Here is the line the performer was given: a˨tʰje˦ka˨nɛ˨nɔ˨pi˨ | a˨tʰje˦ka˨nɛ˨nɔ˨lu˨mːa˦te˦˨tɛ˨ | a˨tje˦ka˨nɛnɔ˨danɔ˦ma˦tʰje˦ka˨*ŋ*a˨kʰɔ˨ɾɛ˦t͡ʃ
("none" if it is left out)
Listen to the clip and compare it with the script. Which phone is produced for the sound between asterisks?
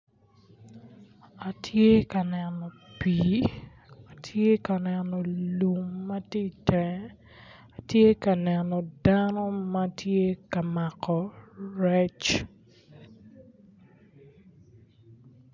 m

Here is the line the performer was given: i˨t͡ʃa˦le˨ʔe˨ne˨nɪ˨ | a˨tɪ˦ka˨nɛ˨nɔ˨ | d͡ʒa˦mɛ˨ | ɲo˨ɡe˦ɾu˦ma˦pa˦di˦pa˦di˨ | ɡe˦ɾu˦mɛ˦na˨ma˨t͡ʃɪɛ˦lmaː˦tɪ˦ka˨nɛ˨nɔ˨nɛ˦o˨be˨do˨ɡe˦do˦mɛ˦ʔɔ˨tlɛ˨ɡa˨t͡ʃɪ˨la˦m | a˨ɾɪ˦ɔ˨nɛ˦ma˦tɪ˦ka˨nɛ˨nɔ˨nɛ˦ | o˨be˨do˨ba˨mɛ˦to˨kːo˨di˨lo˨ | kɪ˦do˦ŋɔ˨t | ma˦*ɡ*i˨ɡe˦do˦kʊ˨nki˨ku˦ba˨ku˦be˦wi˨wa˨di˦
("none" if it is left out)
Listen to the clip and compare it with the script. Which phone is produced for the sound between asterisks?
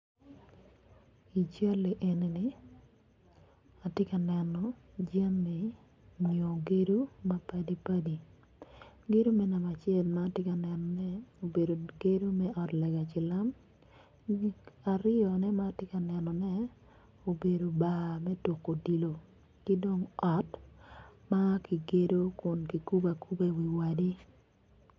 k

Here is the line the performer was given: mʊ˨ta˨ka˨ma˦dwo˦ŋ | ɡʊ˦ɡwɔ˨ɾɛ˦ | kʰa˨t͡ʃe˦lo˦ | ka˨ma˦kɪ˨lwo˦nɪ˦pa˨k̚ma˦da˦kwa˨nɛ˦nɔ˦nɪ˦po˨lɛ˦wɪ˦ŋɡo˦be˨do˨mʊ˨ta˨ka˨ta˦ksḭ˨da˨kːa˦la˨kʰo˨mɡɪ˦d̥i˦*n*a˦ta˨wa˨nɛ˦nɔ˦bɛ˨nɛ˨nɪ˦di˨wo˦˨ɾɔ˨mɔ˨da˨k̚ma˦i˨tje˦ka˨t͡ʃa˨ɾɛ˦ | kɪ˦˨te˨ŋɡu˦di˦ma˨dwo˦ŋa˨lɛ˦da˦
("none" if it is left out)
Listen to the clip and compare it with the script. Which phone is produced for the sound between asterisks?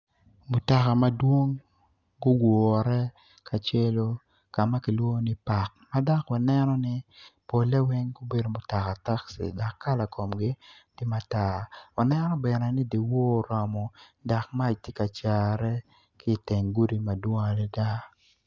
m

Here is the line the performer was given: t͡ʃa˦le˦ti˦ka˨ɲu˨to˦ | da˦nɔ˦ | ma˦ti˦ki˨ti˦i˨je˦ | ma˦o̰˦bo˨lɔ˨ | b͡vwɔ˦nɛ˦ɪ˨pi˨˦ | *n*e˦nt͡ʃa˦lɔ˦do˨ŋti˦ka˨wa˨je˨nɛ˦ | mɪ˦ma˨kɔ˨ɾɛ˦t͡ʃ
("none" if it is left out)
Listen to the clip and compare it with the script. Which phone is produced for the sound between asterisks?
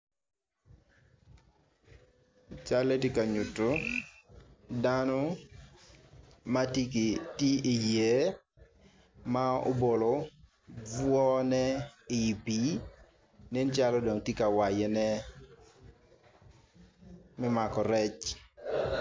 n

